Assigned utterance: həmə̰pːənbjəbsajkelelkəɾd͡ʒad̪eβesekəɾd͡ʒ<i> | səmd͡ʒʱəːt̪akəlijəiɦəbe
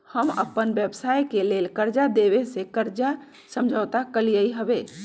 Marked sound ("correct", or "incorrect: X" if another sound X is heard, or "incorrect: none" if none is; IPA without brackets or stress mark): incorrect: a